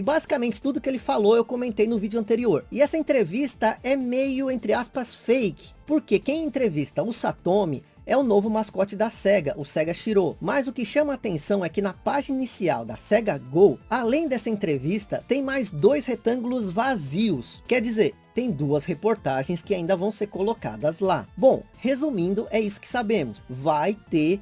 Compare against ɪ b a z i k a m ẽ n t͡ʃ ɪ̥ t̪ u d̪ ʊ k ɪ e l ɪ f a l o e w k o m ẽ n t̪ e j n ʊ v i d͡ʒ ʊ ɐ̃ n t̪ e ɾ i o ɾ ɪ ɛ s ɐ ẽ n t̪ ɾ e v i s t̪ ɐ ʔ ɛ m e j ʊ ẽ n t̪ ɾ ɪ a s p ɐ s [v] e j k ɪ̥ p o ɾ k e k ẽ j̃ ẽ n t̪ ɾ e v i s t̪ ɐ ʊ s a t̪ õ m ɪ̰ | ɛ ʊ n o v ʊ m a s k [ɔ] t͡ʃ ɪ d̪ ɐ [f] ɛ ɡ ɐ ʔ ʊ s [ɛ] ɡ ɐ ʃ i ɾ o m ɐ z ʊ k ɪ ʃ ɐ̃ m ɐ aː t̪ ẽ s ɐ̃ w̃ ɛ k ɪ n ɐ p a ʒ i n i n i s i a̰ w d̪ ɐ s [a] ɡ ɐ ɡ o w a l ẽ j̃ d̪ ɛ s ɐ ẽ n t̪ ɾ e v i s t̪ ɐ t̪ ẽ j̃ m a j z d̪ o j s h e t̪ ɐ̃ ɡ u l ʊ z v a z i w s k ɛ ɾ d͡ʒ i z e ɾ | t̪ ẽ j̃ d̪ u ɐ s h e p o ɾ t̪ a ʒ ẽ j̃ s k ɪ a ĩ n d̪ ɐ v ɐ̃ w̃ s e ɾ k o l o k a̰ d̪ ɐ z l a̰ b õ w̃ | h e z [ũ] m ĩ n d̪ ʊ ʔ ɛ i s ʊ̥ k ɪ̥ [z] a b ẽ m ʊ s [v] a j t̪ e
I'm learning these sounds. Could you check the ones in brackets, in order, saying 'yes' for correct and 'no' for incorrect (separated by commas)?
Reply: no, yes, no, yes, no, no, no, yes